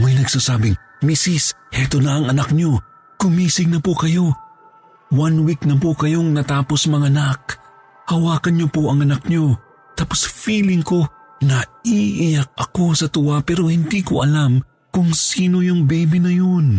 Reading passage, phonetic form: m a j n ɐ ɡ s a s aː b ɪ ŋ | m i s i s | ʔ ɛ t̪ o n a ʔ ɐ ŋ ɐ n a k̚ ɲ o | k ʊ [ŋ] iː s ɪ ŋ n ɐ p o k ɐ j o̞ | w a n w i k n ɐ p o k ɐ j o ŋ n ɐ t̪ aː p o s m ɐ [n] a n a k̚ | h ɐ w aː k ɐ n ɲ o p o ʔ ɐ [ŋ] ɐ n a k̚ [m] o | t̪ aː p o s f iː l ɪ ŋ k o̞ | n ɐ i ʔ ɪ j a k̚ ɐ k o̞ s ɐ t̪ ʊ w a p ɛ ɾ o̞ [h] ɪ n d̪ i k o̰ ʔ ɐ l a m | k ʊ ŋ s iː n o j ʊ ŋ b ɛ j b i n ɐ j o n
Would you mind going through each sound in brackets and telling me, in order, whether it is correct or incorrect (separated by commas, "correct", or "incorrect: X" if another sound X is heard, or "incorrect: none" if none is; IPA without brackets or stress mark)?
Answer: incorrect: m, incorrect: ŋ, correct, incorrect: ɲ, correct